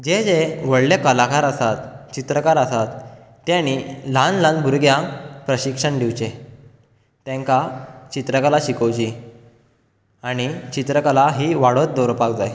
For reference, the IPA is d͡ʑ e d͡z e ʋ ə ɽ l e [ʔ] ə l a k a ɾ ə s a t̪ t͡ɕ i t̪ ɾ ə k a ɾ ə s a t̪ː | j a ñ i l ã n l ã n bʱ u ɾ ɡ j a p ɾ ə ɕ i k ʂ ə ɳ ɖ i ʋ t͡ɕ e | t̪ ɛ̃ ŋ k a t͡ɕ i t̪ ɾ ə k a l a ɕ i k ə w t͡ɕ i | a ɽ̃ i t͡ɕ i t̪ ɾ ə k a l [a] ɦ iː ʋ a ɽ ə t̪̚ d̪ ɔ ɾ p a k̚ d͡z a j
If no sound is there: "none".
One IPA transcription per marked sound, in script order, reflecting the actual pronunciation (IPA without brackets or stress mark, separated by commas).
k, a